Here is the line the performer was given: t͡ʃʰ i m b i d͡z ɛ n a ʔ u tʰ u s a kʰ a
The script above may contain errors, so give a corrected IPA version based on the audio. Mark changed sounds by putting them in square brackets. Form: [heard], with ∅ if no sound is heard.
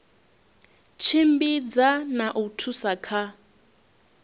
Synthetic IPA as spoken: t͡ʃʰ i m b i d͡z [a] n a ʔ u tʰ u s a kʰ a